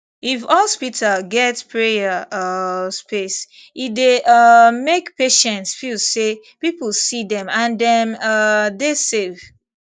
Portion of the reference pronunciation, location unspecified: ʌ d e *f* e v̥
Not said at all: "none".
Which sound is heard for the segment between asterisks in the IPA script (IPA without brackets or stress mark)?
s